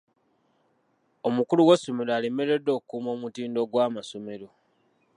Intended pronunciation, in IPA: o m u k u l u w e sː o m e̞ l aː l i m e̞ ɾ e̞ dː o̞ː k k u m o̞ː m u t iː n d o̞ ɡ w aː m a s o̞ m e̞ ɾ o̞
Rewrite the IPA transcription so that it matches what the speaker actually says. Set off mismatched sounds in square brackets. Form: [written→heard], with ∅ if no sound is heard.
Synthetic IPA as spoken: o m u k u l u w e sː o m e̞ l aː l i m e̞ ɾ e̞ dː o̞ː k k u m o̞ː m u t iː n d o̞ ɡ w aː m a s o̞ m e̞ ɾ o̞